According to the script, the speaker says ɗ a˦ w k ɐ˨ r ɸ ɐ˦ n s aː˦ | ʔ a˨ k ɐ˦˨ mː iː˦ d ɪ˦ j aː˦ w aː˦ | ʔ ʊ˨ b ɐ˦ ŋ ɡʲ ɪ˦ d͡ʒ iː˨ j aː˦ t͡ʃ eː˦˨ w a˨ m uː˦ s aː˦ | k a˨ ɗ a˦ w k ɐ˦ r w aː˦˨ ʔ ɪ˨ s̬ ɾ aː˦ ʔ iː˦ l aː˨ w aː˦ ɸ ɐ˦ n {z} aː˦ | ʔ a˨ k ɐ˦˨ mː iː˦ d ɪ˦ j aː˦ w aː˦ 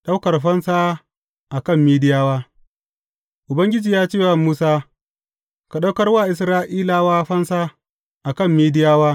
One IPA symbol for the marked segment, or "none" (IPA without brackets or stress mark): s